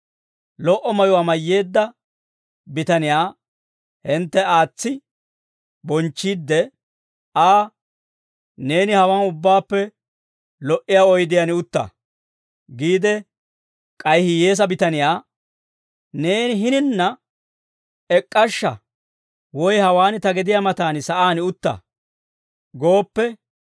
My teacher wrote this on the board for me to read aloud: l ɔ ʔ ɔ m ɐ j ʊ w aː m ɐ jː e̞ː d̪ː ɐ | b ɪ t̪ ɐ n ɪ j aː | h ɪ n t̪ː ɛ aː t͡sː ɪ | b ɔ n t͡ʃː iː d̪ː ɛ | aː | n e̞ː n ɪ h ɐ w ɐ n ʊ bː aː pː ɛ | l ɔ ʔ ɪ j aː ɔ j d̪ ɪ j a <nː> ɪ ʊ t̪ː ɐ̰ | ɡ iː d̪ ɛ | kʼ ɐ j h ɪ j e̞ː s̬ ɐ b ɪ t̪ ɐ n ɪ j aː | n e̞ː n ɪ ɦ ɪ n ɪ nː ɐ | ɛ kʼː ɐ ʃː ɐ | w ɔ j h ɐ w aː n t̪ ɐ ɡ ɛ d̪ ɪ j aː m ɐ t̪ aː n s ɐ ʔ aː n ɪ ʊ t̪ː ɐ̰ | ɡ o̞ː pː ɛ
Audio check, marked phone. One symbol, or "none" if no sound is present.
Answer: n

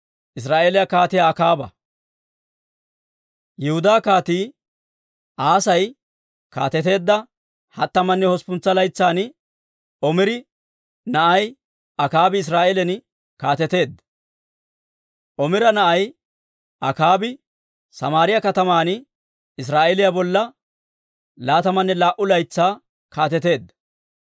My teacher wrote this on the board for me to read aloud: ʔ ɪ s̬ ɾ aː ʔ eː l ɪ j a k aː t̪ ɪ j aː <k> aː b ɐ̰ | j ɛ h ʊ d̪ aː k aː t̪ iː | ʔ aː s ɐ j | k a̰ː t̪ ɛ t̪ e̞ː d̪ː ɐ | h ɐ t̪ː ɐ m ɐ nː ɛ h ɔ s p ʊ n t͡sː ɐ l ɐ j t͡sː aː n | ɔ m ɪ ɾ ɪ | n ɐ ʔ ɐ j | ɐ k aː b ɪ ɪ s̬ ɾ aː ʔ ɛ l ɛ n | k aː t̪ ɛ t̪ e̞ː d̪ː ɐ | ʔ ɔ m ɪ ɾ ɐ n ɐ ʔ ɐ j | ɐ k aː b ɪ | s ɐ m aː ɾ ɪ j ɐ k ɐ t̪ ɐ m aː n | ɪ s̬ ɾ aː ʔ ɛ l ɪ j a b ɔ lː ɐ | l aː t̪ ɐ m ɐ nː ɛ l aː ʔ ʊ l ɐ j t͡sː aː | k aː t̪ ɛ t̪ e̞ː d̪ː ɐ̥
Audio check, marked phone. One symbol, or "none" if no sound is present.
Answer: k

